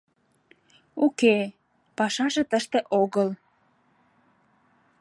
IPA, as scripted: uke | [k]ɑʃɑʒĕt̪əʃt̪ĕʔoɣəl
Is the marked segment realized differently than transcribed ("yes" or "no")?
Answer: yes